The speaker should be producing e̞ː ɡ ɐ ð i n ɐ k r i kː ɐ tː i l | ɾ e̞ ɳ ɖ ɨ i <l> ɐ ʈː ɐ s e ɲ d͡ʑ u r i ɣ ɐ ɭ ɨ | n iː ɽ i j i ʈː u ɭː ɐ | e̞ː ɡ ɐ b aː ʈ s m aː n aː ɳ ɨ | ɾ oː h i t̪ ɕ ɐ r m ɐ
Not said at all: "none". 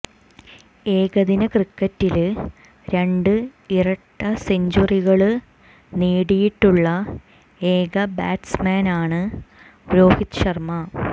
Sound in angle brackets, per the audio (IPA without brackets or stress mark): r